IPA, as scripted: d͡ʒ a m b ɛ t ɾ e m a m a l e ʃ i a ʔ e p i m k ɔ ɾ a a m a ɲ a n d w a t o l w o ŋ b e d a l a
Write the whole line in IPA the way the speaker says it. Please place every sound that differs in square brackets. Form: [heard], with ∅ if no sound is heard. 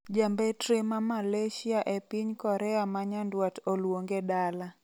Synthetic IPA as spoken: d͡ʒ a m b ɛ t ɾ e m a m a l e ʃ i a ʔ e p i [ɲ] k ɔ ɾ [ɛ] a m a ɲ a n d w a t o l w o ŋ [ɡ] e d a l a